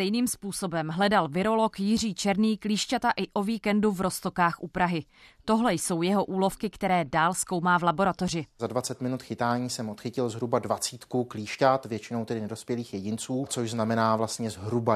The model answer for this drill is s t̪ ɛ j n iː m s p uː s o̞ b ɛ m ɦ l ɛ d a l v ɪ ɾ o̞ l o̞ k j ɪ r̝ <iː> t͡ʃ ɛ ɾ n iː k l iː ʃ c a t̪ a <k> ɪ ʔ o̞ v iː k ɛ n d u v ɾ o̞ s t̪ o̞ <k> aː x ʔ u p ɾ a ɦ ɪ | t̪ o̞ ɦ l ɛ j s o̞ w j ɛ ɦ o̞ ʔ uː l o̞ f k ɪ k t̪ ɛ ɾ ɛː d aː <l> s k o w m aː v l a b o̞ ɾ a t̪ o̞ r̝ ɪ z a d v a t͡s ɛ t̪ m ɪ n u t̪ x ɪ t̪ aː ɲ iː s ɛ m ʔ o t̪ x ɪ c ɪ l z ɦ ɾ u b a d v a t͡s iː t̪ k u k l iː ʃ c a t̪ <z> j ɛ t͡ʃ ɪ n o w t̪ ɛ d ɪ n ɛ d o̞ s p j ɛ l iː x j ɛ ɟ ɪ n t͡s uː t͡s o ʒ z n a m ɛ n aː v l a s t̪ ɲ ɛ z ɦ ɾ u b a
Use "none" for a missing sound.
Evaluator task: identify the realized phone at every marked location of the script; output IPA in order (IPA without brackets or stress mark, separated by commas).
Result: iː, ʔ, k, l, v